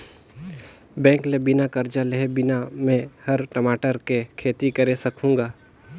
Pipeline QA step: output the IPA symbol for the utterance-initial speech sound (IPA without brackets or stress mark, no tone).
b